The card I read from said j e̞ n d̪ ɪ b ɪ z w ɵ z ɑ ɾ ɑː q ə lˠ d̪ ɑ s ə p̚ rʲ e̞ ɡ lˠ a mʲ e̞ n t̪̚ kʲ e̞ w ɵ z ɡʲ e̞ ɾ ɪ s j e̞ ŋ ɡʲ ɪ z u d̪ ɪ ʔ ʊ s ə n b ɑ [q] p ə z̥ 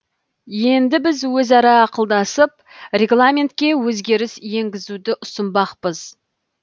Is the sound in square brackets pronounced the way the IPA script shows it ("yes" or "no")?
yes